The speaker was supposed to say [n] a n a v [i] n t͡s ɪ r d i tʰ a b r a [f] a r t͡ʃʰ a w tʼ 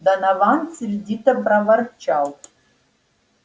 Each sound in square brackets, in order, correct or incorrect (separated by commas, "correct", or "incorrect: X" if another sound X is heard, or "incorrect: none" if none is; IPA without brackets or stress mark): incorrect: d, incorrect: a, incorrect: v